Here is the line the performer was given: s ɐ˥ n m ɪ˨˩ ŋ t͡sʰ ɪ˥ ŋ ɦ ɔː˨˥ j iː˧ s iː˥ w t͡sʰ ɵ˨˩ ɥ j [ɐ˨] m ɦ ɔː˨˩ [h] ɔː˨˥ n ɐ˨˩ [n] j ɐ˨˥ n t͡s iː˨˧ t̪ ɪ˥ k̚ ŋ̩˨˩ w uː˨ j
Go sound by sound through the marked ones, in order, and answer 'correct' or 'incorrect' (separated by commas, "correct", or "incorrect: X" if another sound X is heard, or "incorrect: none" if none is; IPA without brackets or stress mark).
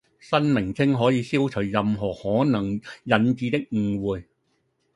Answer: correct, correct, incorrect: ŋ